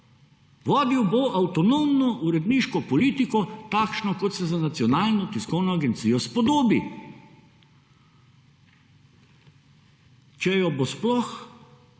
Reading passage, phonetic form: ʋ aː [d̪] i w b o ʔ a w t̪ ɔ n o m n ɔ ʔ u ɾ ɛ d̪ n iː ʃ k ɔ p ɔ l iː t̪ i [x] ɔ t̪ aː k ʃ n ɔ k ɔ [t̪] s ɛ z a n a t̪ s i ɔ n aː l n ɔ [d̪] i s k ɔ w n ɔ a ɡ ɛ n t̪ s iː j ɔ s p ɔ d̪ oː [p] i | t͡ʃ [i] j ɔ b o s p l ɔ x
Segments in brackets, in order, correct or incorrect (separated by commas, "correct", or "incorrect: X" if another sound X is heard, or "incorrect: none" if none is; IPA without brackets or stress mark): correct, incorrect: k, correct, incorrect: t̪, incorrect: b, incorrect: ɛ